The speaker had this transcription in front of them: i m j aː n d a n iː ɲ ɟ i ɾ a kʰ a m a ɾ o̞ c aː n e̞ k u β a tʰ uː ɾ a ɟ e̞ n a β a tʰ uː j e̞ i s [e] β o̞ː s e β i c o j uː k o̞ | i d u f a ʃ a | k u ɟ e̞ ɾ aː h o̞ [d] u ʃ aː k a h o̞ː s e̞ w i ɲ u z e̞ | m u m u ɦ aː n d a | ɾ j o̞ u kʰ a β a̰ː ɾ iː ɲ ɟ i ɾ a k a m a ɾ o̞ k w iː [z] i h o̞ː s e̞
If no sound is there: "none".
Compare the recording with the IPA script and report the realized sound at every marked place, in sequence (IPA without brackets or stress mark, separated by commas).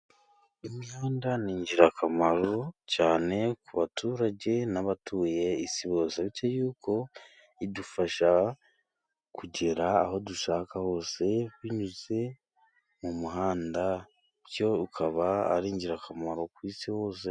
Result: i, d, s